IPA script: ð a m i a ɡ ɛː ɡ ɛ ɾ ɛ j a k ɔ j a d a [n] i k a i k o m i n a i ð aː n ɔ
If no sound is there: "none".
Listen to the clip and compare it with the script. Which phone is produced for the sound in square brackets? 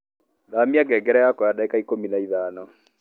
none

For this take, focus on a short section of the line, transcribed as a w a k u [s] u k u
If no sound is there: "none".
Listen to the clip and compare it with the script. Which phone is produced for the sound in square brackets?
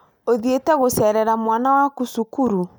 s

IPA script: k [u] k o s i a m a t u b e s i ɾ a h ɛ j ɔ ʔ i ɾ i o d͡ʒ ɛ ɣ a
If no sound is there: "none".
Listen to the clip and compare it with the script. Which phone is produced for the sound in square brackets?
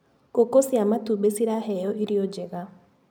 o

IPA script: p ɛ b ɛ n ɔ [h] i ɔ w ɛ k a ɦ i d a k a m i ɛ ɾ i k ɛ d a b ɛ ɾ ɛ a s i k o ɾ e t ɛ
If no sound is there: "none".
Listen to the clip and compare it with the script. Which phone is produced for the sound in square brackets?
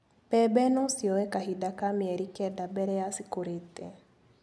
s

